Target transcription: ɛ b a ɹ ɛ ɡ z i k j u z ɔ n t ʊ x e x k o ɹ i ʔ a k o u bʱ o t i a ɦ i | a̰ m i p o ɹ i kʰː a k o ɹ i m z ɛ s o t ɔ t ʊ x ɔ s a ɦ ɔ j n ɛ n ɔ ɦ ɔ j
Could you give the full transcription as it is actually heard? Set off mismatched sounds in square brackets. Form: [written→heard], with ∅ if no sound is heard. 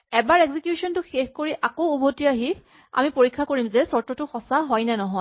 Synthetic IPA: ɛ b a ɹ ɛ ɡ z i k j u [z→s] ɔ n t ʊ x e x k o ɹ i ʔ a k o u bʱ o t i a ɦ i | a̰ m i p o ɹ i kʰː a k o ɹ i m z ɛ s [o→ɔ] t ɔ t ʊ x ɔ s a ɦ ɔ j n ɛ n ɔ ɦ ɔ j